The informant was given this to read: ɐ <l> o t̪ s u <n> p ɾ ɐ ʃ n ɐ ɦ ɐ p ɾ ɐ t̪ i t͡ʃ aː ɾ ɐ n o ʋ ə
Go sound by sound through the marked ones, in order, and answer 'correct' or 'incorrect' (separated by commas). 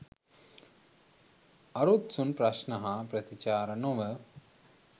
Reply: incorrect, correct